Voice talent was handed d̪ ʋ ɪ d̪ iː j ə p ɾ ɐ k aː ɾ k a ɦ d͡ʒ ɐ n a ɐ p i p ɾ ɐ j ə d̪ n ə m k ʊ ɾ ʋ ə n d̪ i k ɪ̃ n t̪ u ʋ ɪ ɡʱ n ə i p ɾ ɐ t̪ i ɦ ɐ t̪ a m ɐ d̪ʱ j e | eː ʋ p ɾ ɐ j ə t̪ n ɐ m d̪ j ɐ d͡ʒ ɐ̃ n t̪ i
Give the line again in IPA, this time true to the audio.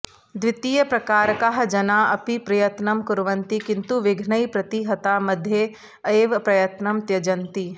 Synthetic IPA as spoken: d̪ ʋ ɪ t̪ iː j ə p ɾ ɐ k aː ɾ k a ɦ d͡ʒ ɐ n a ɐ p i p ɾ ɐ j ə t̪ n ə m k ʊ ɾ ʋ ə n t̪ i k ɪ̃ n t̪ u ʋ ɪ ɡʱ n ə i p ɾ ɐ t̪ i ɦ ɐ t̪ a m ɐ d̪ʱ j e | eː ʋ p ɾ ɐ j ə t̪ n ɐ m t̪ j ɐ d͡ʒ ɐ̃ n t̪ i

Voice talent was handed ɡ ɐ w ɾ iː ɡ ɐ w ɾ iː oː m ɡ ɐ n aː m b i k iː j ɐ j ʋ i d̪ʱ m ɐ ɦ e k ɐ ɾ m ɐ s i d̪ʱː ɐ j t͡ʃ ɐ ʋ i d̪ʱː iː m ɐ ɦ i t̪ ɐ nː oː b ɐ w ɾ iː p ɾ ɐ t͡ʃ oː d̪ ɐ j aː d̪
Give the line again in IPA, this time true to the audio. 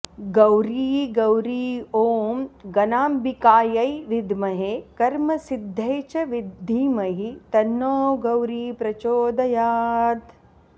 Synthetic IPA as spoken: ɡ ɐ w ɾ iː ɡ ɐ w ɾ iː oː m ɡ ɐ n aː m b i k aː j ɐ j ʋ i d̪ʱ m ɐ ɦ e k ɐ ɾ m ɐ s i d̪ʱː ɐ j t͡ʃ ɐ ʋ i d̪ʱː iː m ɐ ɦ i t̪ ɐ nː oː ɡ ɐ w ɾ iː p ɾ ɐ t͡ʃ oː d̪ ɐ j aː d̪

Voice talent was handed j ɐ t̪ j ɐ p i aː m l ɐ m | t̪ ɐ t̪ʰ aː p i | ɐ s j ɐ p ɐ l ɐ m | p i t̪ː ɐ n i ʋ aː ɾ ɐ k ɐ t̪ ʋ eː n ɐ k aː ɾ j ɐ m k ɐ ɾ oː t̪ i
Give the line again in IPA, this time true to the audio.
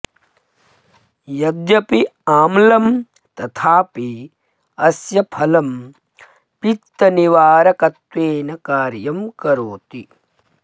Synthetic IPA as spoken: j ɐ d̪ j ɐ p i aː m l ɐ m | t̪ ɐ t̪ʰ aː p i | ɐ s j ɐ pʰ ɐ l ɐ m | p i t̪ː ɐ n i ʋ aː ɾ ɐ k ɐ t̪ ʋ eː n ɐ k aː ɾ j ɐ m k ɐ ɾ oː t̪ i

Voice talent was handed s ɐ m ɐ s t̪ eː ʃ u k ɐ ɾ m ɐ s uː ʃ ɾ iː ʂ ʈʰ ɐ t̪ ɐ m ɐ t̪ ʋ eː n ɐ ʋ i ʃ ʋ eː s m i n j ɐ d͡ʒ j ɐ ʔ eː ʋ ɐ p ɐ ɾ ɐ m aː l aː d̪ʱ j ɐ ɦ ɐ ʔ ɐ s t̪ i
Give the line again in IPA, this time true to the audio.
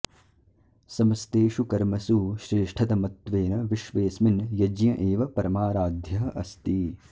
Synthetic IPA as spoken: s ɐ m ɐ s t̪ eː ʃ u k ɐ ɾ m ɐ s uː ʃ ɾ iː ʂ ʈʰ ɐ t̪ ɐ m ɐ t̪ ʋ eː n ɐ ʋ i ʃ ʋ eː s m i n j ɐ d͡ʒ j ɐ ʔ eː ʋ ɐ p ɐ ɾ ɐ m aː ɾ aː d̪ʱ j ɐ ɦ ɐ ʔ ɐ s t̪ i

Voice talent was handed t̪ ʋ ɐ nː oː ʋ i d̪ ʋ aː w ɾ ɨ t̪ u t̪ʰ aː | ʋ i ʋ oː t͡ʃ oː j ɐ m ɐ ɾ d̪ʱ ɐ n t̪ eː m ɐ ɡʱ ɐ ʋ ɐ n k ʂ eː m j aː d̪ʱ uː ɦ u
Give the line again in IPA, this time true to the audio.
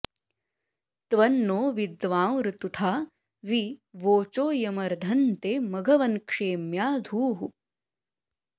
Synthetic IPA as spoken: t̪ ʋ ɐ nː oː ʋ i d̪ ʋ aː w ɾ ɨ t̪ u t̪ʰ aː | ʋ i ʋ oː t͡ʃ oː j ɐ m ɐ ɾ d̪ʱ ɐ n t̪ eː m ɐ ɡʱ ɐ ʋ ɐ n k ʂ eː m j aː d̪ʱ uː ɦ u

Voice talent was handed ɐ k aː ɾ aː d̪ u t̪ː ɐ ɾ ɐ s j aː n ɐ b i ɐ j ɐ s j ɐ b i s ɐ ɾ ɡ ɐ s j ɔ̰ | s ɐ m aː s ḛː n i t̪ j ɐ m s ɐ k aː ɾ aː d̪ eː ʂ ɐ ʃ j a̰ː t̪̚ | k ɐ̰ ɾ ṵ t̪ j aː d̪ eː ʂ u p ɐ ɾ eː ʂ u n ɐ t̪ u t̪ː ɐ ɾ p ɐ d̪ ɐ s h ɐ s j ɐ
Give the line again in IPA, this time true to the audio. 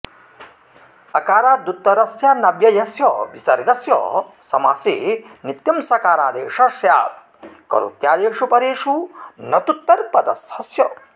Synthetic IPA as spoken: ɐ k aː ɾ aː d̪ u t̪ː ɐ ɾ ɐ s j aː n ɐ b j ɐ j ɐ s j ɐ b i s ɐ ɾ ɡ ɐ s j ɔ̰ | s ɐ m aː s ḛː n i t̪ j ɐ m s ɐ k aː ɾ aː d̪ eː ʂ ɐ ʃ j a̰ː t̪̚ | k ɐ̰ ɾ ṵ t̪ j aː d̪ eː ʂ u p ɐ ɾ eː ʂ u n ɐ t̪ u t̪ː ɐ ɾ p ɐ d̪ ɐ s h ɐ s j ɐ

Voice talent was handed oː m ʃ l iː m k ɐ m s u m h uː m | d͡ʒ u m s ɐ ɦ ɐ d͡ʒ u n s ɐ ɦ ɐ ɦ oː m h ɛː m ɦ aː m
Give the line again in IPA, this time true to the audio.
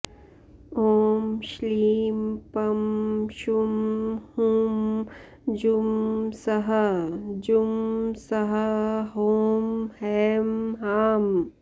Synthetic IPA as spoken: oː m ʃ l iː m p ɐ m ʃ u m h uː m | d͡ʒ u m s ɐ ɦ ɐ d͡ʒ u m s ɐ ɦ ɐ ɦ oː m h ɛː m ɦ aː m

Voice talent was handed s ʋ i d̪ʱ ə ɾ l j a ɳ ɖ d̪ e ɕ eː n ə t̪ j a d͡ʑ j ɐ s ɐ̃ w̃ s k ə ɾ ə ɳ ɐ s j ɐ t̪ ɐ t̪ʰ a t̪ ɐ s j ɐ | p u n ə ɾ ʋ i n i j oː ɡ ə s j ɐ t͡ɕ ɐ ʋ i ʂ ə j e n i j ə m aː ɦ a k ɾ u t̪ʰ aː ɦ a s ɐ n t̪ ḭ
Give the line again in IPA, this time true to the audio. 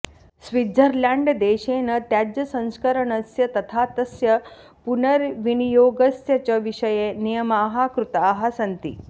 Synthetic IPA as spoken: s ʋ i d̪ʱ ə ɾ l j a ɳ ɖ d̪ e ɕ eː n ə t̪ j a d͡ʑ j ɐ s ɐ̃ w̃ s k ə ɾ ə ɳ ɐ s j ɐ t̪ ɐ t̪ʰ a t̪ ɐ s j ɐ | p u n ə ɾ ʋ i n i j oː ɡ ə s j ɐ t͡ɕ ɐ ʋ i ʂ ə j e n i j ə m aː ɦ a k ɾ u t̪ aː ɦ a s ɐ n t̪ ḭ

